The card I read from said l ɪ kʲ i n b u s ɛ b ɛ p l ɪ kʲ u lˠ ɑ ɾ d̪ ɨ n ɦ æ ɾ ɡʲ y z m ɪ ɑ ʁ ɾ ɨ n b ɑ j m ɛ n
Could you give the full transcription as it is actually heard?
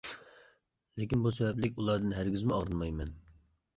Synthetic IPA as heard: l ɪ kʲ i n b u s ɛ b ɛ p l ɪ kʲ u lˠ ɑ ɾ d̪ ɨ n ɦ æ ɾ ɡʲ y z m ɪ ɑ ʁ ɾ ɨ n m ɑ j m ɛ n